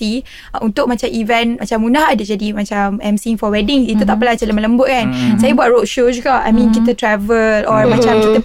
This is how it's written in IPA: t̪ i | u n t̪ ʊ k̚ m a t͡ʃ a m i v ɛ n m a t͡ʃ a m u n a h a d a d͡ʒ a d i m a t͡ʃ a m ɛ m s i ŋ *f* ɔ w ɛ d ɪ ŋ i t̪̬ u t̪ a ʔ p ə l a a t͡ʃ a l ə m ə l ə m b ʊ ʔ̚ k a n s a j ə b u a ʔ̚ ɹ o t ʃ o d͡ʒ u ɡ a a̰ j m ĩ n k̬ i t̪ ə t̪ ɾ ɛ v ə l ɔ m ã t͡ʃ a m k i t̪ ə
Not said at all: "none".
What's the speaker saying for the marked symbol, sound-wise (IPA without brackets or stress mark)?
f